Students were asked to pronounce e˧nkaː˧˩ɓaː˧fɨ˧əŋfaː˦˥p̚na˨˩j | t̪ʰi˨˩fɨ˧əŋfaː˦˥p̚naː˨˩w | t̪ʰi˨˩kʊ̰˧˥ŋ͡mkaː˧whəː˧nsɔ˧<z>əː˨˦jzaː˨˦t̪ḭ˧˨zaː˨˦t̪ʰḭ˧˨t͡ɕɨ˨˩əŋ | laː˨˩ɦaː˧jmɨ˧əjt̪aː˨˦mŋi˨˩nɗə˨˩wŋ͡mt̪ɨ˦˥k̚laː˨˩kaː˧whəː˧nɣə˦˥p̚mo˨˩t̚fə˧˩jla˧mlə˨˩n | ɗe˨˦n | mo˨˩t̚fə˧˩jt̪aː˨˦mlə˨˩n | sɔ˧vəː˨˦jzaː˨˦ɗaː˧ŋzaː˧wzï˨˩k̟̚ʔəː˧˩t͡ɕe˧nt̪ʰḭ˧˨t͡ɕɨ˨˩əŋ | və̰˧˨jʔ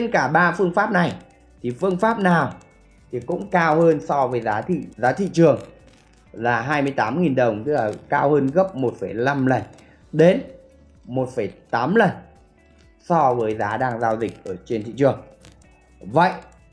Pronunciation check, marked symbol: incorrect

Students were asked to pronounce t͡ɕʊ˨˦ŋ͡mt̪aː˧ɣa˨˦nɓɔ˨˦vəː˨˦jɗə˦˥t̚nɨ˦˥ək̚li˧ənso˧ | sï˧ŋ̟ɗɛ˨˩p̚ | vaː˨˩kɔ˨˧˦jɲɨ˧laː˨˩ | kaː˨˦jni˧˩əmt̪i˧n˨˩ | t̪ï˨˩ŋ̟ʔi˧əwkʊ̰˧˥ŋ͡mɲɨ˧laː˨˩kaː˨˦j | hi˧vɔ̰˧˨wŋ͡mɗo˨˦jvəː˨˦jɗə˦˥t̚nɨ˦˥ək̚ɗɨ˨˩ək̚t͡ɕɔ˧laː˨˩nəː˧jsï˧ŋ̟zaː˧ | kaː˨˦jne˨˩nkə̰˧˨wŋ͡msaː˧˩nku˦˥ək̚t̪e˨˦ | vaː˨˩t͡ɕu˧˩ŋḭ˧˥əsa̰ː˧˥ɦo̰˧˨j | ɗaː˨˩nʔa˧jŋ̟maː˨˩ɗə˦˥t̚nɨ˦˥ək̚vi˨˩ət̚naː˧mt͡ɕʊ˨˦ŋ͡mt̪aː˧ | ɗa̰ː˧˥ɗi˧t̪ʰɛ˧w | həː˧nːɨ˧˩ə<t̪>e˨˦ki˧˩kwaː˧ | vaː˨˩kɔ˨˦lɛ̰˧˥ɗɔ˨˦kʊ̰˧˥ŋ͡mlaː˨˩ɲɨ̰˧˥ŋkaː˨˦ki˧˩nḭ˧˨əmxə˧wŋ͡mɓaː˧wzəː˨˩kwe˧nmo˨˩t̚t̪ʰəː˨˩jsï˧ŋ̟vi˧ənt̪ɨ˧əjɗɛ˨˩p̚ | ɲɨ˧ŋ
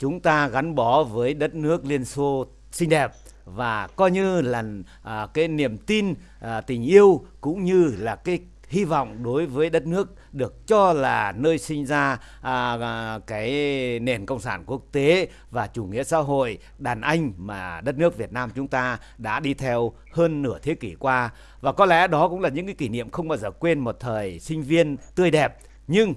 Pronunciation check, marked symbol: incorrect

